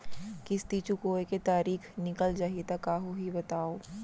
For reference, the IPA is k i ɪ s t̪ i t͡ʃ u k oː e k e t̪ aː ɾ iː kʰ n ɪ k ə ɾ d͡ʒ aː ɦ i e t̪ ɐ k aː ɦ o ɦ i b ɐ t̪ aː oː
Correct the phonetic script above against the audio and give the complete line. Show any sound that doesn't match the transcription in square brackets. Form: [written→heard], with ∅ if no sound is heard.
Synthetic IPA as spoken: k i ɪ s t̪ i t͡ʃ u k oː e k e t̪ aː ɾ iː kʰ n ɪ k ə [ɾ→l] d͡ʒ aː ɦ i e t̪ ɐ k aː ɦ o ɦ i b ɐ t̪ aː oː